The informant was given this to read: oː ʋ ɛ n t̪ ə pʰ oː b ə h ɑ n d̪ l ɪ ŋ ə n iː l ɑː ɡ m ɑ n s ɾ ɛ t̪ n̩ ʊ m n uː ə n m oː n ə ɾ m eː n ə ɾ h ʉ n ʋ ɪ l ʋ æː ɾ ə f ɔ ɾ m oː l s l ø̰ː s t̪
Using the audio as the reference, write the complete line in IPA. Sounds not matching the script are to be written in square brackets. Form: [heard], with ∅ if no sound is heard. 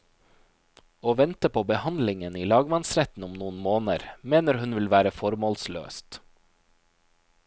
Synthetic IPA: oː ʋ ɛ n t̪ ə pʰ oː b ə h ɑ n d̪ l ɪ ŋ ə n iː l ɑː ɡ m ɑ n s ɾ ɛ t̪ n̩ ʊ m n uː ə n m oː n ə ɾ m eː n ə ɾ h ʉ n ʋ ɪ l ʋ æː ɾ ə f ɔ ɾ m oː l s l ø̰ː s t̪